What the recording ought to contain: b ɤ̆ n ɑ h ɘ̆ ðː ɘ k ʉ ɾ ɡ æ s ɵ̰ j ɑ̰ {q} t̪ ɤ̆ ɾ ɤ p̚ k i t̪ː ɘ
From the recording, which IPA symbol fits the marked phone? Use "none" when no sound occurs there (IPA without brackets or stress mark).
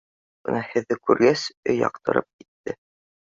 q